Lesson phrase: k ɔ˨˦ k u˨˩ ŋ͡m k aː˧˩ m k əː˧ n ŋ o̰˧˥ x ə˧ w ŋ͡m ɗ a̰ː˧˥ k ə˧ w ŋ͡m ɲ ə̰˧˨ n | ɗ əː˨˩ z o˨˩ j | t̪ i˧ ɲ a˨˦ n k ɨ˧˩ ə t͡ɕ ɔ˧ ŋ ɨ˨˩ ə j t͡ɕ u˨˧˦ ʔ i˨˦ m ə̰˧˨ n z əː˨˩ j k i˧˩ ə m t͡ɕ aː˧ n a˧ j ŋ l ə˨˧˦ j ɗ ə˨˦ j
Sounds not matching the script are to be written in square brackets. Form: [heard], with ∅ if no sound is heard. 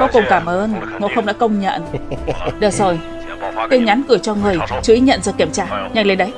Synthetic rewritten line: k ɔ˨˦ k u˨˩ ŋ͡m k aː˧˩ m [ʔ] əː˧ n ŋ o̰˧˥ x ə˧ w ŋ͡m ɗ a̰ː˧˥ k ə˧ w ŋ͡m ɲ ə̰˧˨ n | ɗ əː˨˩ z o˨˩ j | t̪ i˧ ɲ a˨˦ n k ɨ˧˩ ə t͡ɕ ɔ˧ ŋ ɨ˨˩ ə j t͡ɕ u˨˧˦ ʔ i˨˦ [ɲ] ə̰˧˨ n z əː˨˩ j k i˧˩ ə m t͡ɕ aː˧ [ɲ] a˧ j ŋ l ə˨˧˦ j ɗ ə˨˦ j